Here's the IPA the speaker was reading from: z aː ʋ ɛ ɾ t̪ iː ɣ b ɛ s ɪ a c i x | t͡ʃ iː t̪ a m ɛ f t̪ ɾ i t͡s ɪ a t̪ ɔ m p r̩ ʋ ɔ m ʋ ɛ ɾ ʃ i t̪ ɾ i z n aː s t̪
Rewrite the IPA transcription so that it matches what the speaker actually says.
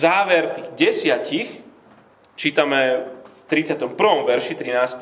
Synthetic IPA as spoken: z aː ʋ ɛ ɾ t̪ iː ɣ ɟ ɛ s ɪ a c i x | t͡ʃ iː t̪ a m ɛ f t̪ ɾ i t͡s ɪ a t̪ ɔ m p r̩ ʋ ɔ m ʋ ɛ ɾ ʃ i t̪ ɾ i n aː s t̪